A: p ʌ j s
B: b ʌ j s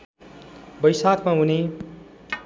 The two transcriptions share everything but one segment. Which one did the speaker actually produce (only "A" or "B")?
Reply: B